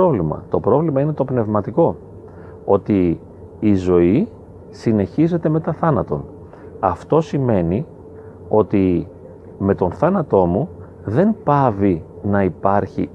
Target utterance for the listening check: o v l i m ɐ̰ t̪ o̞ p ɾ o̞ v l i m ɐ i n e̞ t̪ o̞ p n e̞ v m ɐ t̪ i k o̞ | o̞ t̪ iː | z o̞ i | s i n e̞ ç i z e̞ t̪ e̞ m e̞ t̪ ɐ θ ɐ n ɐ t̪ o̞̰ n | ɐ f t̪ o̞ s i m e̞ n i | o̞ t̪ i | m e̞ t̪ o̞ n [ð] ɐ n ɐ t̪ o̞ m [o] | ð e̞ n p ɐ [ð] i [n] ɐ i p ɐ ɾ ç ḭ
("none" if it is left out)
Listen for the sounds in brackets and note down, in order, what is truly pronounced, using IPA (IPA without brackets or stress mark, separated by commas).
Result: θ, u, v, n